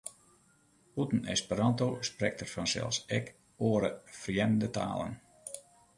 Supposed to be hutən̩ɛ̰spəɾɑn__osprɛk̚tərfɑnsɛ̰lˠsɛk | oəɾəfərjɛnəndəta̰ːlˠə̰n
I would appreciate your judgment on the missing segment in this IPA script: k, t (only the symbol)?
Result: t